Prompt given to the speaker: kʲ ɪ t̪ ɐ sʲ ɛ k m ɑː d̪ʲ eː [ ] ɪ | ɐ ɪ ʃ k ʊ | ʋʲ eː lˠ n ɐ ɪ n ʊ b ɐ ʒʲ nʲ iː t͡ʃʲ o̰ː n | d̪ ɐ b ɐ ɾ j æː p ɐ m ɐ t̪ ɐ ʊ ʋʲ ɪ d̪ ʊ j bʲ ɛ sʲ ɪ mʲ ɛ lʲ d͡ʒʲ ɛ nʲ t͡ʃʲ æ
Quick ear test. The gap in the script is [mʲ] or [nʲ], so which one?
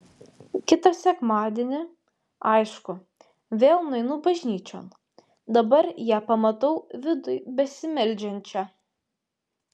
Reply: nʲ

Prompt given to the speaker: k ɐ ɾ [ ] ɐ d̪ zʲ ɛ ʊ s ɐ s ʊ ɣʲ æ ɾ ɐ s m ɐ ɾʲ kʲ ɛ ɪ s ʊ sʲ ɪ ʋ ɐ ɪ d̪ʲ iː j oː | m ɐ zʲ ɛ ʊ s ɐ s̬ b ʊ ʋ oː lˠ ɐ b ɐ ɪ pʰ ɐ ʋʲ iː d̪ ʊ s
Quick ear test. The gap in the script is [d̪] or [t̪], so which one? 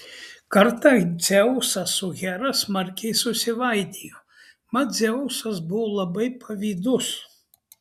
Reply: t̪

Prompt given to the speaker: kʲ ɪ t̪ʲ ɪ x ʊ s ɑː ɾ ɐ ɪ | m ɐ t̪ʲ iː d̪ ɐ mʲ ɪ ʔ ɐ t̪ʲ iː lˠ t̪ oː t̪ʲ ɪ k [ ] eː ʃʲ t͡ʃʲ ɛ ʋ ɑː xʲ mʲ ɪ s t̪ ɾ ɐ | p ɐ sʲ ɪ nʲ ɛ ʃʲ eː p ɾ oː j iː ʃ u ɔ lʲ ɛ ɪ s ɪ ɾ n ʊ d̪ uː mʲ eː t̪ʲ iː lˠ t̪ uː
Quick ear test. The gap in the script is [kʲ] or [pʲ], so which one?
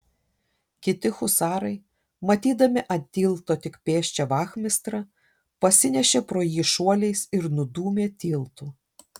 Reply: pʲ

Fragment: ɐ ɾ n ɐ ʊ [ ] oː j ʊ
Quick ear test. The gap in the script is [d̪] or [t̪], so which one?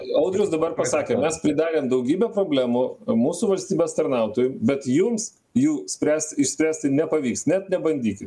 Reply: t̪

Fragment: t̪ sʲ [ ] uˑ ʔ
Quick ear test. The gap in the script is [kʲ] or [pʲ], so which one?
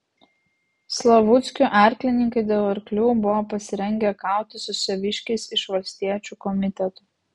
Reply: kʲ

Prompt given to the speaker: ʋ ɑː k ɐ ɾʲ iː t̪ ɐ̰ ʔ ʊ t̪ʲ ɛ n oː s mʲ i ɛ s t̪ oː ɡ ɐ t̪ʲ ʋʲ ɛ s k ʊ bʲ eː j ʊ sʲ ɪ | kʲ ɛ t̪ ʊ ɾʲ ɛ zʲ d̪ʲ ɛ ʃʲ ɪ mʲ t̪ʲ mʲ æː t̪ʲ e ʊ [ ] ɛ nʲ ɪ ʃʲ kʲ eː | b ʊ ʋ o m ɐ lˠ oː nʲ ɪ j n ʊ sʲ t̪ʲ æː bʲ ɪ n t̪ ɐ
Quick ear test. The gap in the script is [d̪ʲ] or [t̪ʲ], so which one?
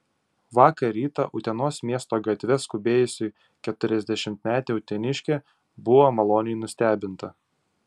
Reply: t̪ʲ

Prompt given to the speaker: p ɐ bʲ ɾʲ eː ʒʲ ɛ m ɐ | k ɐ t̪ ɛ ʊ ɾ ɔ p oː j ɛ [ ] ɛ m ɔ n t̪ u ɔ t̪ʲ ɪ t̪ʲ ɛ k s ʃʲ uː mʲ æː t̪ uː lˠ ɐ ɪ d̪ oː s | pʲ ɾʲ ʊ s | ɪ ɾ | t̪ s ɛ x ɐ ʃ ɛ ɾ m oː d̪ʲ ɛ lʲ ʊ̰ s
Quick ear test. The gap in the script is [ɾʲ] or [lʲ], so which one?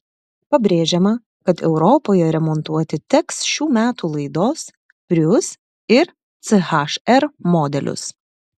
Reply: ɾʲ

